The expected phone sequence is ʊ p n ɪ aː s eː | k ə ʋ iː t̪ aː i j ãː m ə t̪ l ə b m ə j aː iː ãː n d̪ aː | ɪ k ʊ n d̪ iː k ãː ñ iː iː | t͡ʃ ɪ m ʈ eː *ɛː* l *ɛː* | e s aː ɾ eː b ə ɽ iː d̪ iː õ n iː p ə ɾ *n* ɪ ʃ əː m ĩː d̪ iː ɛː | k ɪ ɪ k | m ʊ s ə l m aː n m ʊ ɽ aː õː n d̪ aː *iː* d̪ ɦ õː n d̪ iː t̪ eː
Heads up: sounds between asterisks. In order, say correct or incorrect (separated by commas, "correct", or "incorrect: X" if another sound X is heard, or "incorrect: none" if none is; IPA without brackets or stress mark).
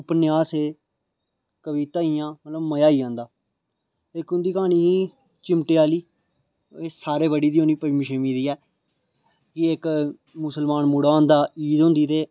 incorrect: aː, incorrect: iː, incorrect: m, correct